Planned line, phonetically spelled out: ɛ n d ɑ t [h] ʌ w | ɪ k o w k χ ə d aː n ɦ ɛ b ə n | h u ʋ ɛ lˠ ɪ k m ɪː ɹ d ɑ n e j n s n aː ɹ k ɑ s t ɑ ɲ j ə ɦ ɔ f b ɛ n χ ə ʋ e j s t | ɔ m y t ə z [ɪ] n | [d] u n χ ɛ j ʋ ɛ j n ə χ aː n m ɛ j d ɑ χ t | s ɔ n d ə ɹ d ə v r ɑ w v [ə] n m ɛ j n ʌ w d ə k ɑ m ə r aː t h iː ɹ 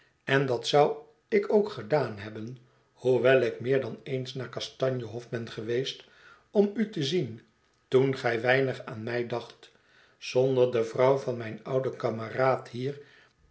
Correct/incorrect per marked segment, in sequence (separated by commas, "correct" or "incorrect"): incorrect, incorrect, incorrect, incorrect